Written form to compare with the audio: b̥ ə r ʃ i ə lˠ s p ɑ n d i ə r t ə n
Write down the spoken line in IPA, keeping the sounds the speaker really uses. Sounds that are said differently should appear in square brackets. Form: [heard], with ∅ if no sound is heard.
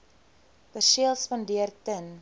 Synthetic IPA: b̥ ə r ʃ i ə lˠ s p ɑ n d i ə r t ə n